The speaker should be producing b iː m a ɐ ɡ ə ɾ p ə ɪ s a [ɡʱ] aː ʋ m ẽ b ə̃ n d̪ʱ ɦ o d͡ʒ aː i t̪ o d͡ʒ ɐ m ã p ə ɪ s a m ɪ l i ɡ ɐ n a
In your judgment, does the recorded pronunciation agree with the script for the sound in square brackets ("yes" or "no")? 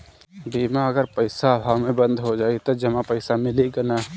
no